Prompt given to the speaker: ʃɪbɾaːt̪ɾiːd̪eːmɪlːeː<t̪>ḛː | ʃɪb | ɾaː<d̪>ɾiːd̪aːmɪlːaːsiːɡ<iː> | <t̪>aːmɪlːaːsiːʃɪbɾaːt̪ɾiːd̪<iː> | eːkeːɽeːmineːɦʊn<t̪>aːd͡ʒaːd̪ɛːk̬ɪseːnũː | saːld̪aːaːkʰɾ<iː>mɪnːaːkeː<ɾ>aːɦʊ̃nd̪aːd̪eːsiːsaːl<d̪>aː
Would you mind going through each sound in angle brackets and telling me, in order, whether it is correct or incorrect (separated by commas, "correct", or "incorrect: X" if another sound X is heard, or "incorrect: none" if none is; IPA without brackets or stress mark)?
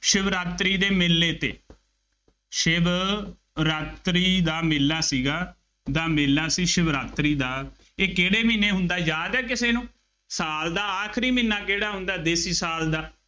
correct, incorrect: t̪, incorrect: aː, incorrect: d̪, incorrect: aː, incorrect: d̪, correct, incorrect: ɽ, correct